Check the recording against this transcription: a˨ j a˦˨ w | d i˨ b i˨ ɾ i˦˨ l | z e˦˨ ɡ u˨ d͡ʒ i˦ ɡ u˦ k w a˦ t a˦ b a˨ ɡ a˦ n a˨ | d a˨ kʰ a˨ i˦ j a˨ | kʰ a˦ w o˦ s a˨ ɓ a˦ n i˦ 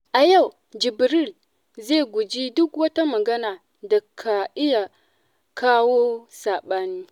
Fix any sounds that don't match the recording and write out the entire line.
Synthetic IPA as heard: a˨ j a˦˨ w | d͡ʒ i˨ b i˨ ɾ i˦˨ l | z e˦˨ ɡ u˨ d͡ʒ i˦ d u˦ k w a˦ t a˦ m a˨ ɡ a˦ n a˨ | d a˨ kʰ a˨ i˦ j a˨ | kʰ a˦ w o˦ s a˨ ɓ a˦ n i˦